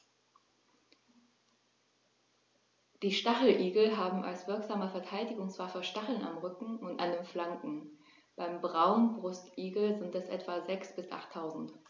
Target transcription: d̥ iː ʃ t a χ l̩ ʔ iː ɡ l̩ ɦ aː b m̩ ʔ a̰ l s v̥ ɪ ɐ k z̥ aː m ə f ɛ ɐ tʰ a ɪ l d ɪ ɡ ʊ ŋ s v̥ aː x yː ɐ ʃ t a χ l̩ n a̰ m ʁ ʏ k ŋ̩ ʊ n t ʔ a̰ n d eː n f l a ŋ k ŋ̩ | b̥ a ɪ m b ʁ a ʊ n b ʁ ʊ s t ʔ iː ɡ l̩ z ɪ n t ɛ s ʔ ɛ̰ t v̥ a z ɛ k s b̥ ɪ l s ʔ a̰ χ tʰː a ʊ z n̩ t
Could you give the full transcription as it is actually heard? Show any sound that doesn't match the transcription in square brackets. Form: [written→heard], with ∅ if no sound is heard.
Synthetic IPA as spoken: d̥ iː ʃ t a χ l̩ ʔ iː ɡ l̩ ɦ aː b m̩ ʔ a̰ l s v̥ ɪ ɐ k z̥ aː m ə f ɛ ɐ tʰ a ɪ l d ɪ ɡ ʊ ŋ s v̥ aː [x→f] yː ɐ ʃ t a χ l̩ n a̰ m ʁ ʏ k ŋ̩ ʊ n t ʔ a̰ n d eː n f l a ŋ k ŋ̩ | b̥ a ɪ m b ʁ a ʊ n b ʁ ʊ s t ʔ iː ɡ l̩ z ɪ n t ɛ s ʔ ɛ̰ t v̥ a z ɛ k s b̥ ɪ [l→∅] s ʔ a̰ χ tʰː a ʊ z n̩ t